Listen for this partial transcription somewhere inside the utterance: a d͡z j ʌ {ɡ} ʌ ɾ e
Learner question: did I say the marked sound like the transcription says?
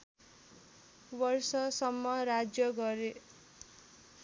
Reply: yes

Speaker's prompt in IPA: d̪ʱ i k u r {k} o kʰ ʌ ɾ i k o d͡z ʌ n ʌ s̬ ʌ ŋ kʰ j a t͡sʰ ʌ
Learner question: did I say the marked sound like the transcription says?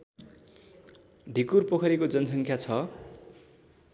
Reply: no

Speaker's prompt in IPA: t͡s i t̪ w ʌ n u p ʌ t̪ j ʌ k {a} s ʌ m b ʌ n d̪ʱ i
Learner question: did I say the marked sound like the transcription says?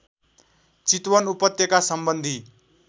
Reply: yes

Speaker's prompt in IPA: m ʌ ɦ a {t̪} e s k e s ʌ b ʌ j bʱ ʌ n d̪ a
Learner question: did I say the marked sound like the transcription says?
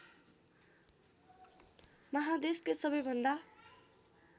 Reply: no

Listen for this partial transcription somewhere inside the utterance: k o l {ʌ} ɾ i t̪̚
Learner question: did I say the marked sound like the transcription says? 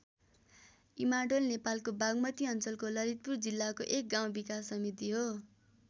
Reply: yes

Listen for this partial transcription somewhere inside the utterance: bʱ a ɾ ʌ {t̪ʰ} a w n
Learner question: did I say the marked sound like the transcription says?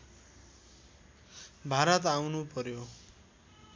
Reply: no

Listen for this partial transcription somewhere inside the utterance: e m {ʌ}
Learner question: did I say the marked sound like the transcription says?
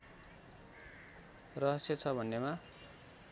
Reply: no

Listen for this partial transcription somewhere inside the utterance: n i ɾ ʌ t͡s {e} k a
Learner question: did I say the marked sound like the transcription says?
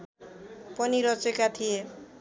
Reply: yes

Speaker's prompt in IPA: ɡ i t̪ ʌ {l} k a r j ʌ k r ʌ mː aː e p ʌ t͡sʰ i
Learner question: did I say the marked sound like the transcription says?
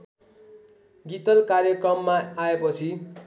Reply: yes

